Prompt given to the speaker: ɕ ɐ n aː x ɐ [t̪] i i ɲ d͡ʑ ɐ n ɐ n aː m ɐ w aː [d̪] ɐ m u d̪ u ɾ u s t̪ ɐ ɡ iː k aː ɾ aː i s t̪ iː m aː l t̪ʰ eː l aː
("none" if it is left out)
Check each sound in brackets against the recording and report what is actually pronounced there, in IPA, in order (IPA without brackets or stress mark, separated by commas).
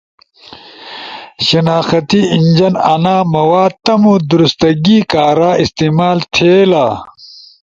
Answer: t̪, t̪